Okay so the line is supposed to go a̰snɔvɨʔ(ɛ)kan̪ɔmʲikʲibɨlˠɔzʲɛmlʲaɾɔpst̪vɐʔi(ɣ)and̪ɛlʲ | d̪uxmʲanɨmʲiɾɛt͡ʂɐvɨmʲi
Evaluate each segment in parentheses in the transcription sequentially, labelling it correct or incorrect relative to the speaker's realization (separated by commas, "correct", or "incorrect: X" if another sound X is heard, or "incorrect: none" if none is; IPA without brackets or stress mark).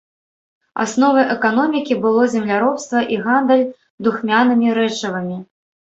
correct, correct